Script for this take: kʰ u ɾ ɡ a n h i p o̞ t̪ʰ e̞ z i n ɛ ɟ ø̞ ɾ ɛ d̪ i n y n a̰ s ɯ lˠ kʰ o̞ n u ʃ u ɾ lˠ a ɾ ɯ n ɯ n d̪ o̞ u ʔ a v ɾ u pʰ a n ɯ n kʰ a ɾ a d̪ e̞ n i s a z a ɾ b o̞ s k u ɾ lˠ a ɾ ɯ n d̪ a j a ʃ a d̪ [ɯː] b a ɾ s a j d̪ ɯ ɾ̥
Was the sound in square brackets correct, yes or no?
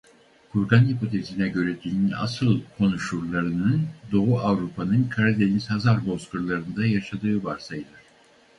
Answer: yes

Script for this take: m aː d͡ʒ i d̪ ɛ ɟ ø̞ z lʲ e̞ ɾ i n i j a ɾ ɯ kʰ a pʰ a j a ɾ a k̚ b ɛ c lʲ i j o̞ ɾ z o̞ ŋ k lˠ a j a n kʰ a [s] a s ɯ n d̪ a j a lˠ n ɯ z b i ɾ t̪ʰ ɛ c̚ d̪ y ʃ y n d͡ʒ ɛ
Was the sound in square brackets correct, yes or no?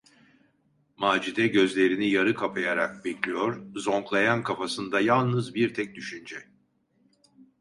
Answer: no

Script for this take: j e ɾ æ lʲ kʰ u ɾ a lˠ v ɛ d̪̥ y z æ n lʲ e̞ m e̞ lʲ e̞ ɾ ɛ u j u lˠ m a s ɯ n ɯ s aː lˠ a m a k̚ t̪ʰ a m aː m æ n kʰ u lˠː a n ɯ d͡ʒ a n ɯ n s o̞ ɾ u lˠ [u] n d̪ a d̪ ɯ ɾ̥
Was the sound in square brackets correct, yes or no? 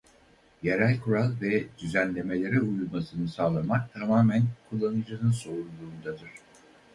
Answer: no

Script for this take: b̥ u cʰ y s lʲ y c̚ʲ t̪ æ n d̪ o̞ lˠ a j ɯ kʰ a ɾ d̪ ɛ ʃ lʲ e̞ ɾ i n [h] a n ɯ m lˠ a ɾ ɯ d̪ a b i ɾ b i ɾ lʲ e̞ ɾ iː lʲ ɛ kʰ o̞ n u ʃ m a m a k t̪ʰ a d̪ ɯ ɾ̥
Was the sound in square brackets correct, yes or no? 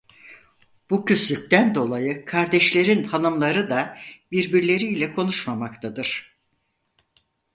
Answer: yes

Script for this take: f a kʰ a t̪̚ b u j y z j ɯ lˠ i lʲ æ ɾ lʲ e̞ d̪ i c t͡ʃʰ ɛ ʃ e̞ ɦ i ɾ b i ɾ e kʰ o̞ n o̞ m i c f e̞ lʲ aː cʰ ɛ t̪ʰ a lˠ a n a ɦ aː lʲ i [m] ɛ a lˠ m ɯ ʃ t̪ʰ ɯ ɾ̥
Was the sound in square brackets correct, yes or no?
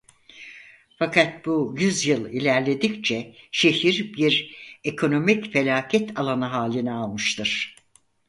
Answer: no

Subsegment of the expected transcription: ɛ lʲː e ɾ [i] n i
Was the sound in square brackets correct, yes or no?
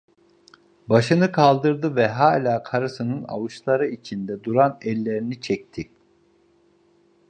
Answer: yes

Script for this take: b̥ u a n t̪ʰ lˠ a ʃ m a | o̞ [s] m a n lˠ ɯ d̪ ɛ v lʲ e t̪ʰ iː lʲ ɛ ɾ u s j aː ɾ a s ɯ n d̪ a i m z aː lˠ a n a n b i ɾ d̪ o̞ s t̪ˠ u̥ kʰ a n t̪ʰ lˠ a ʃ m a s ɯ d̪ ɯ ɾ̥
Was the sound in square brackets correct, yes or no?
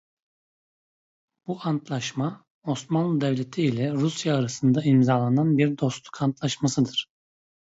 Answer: yes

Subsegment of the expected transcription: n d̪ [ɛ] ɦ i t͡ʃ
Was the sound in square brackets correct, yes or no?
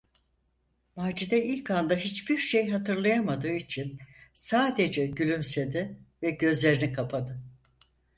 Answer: no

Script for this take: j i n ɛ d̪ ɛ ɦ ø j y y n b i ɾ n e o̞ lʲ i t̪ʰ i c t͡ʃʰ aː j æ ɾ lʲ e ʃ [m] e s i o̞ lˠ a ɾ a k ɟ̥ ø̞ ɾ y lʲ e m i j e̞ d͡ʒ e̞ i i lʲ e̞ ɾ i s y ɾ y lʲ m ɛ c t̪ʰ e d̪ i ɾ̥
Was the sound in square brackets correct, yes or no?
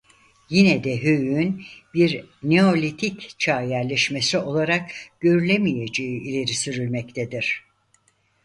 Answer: yes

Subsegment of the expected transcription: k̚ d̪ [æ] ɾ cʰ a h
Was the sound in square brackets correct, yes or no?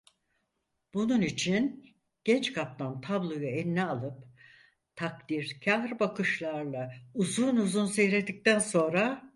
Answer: no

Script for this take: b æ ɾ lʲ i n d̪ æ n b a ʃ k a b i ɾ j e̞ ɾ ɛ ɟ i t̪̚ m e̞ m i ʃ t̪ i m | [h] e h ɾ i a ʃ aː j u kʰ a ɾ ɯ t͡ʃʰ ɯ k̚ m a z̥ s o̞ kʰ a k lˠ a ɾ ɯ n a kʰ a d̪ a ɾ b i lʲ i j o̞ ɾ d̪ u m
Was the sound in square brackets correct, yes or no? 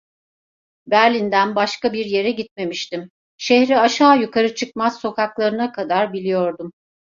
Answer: no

